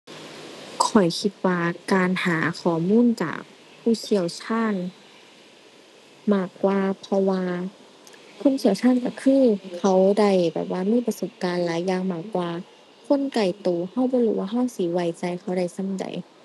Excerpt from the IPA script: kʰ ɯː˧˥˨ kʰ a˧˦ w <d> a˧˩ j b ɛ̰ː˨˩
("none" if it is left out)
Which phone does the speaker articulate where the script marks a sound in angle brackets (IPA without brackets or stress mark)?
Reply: d